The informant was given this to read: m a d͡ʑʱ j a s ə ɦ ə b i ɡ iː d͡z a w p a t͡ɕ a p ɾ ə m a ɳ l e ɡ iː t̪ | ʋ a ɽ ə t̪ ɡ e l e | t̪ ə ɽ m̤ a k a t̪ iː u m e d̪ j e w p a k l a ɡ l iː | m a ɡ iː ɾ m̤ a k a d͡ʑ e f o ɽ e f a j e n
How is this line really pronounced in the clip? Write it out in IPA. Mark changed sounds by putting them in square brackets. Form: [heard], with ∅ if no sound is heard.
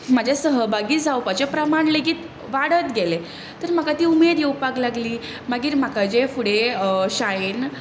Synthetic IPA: m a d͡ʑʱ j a s ə ɦ ə b [a] ɡ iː d͡z a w p a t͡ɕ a p ɾ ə m a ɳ l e ɡ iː t̪ | ʋ a ɽ ə t̪ ɡ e l e | t̪ ə [ɾ] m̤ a k a t̪ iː u m e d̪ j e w p a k l a ɡ l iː | m a ɡ iː ɾ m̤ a k a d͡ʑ e f [u] ɽ e [ɕ] a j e n